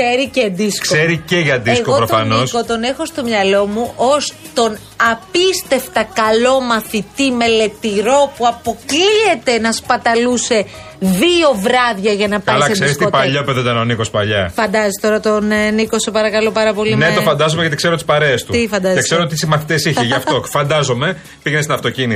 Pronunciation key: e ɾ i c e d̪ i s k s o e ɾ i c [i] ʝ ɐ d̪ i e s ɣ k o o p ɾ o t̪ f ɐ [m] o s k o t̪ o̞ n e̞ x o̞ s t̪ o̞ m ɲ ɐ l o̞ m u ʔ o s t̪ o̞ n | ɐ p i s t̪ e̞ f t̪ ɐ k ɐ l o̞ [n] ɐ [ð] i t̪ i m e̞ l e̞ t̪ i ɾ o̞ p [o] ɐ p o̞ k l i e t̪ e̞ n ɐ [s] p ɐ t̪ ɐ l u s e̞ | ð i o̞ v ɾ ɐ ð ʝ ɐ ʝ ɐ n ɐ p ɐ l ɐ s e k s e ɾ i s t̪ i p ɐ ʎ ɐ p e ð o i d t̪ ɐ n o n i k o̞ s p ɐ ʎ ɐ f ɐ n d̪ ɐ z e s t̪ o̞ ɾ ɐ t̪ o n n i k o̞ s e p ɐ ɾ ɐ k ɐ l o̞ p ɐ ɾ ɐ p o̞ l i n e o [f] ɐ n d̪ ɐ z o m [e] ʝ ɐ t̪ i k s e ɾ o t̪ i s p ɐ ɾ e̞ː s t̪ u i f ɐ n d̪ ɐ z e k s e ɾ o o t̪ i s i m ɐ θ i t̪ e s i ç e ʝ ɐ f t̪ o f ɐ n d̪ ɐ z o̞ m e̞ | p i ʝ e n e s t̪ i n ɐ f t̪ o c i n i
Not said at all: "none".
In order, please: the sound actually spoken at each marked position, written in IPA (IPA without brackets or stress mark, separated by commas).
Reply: e, n, m, θ, u, s, f, e